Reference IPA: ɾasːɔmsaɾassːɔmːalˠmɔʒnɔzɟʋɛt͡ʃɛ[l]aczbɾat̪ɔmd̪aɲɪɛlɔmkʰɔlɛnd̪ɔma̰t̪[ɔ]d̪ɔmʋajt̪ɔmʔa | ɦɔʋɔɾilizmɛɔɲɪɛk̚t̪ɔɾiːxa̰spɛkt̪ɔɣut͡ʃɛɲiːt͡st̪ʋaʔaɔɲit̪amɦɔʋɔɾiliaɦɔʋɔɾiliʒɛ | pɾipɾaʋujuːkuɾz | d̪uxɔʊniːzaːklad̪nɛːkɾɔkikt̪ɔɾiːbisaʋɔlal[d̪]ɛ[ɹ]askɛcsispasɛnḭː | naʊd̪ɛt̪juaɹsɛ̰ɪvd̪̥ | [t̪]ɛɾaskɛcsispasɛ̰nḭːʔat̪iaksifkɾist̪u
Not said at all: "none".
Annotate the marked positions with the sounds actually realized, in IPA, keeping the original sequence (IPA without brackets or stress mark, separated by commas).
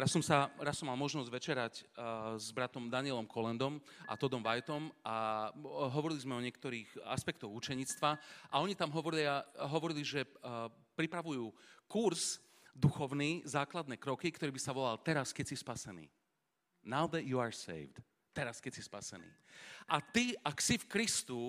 ɾ, ɔ, t̪, ɾ, t̪